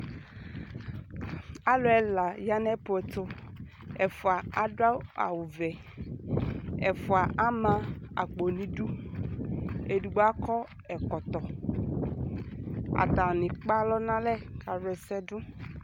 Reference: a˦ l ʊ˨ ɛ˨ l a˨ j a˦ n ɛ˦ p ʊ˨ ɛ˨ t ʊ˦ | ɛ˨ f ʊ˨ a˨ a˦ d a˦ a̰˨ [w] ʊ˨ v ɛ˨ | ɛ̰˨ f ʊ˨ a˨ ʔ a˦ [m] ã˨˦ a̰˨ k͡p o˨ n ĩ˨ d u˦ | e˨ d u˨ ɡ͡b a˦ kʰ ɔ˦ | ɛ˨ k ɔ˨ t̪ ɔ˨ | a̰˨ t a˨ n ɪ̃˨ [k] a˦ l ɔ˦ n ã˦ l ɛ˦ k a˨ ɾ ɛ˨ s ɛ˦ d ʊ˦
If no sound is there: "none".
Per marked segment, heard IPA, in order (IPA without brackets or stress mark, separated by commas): w, m, k͡p